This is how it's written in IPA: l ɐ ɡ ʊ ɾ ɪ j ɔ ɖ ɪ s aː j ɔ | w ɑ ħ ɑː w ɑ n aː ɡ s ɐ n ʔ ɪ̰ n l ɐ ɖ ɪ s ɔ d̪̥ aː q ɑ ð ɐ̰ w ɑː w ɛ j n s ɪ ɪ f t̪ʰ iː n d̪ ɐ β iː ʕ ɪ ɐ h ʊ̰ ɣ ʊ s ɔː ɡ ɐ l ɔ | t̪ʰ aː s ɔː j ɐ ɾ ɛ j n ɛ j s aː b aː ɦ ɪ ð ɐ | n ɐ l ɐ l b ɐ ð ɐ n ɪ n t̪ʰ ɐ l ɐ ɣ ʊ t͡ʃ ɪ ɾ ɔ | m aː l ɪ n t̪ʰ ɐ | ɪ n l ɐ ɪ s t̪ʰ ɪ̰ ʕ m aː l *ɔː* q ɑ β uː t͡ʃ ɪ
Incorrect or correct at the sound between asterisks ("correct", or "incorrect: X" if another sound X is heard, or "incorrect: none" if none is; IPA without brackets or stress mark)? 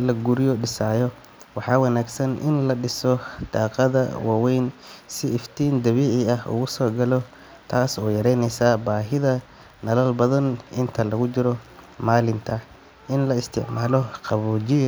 incorrect: ɔ